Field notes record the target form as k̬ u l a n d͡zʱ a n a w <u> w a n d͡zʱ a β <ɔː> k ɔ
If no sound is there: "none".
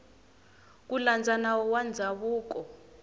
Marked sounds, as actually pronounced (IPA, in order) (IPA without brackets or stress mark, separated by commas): ɔ, uː